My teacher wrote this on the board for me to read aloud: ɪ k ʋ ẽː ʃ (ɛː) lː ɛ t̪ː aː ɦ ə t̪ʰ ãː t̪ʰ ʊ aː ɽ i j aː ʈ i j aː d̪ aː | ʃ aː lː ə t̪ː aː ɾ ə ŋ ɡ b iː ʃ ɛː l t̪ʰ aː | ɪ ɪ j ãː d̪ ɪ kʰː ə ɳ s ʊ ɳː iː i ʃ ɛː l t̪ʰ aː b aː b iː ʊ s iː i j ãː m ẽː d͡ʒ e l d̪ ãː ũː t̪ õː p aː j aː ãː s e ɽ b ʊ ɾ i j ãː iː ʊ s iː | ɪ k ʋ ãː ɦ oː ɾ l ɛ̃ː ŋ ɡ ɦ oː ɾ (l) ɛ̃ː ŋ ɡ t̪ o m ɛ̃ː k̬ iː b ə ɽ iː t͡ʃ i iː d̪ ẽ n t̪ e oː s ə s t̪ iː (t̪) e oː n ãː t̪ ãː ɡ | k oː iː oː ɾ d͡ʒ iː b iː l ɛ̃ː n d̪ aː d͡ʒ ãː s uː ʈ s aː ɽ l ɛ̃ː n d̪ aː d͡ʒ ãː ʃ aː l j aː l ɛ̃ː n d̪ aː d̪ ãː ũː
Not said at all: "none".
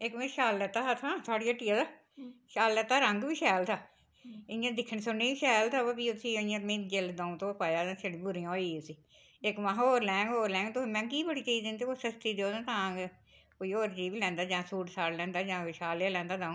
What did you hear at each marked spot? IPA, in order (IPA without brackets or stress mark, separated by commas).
aː, l, d̪